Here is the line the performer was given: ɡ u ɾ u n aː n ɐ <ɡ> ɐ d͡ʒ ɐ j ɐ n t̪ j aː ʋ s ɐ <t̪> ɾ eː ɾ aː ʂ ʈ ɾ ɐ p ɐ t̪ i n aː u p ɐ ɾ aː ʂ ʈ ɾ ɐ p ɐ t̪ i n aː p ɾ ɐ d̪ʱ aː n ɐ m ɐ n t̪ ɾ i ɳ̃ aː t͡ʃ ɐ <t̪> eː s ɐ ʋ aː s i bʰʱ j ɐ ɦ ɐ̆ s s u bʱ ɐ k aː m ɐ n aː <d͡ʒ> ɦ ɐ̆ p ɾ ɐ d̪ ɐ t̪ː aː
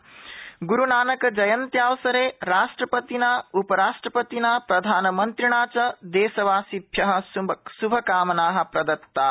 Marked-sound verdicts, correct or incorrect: incorrect: k, incorrect: none, incorrect: d̪, incorrect: none

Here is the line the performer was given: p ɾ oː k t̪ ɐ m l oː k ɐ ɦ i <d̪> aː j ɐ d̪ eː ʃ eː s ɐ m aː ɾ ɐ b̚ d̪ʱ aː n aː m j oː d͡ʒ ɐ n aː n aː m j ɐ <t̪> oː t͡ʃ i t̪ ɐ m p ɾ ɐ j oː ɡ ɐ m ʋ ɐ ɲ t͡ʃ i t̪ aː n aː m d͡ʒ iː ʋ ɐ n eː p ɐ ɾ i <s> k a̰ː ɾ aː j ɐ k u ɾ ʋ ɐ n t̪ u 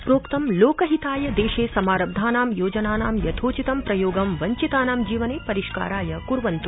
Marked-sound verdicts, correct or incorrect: incorrect: t̪, incorrect: t̪ʰ, incorrect: ʃ

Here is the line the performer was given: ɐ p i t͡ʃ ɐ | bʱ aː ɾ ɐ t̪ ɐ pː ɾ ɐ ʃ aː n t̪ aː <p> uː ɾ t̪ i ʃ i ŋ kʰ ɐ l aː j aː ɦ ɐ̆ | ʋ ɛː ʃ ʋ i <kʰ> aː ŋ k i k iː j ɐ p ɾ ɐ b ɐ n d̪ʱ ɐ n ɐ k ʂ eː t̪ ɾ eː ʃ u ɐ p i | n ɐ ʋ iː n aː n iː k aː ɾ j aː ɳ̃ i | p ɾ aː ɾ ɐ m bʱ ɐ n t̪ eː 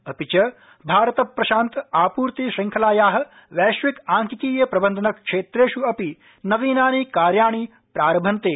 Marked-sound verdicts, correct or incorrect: correct, incorrect: k

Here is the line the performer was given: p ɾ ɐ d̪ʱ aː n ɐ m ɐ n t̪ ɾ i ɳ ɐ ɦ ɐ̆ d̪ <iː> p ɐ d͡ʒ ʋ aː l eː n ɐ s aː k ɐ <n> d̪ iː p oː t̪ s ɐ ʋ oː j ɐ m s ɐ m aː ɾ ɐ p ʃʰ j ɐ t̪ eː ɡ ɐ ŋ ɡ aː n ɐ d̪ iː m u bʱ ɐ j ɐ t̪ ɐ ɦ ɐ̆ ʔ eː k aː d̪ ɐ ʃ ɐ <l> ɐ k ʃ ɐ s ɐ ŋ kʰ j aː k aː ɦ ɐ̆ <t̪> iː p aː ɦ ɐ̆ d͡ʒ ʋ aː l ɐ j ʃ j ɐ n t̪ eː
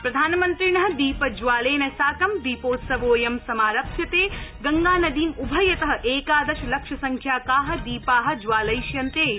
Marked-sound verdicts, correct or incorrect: correct, incorrect: m, correct, incorrect: d̪

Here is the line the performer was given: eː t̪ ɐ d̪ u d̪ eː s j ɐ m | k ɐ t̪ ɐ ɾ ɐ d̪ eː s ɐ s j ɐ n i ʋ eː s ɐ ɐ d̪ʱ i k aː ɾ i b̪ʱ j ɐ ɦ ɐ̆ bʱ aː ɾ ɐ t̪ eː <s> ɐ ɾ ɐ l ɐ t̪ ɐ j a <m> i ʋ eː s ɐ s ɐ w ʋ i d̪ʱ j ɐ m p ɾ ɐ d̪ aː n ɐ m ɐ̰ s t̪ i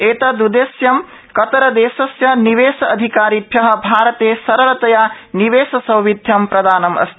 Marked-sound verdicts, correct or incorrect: correct, incorrect: n

